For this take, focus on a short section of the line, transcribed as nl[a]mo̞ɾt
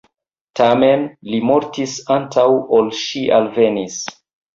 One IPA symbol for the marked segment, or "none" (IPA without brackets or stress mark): i